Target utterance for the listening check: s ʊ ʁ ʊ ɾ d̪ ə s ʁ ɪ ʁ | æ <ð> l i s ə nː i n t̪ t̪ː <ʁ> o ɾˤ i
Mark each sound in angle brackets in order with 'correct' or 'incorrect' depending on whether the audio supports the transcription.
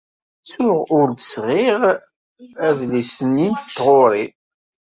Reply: correct, correct

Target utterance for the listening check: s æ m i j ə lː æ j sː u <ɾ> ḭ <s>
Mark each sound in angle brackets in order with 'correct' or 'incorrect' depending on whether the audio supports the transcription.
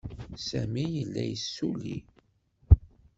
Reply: incorrect: l, incorrect: none

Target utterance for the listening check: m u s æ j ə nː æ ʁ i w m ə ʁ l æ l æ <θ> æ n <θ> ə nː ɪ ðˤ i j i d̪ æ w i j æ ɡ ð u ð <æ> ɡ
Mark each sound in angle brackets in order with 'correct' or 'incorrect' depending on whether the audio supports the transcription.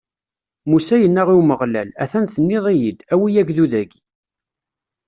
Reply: correct, correct, correct

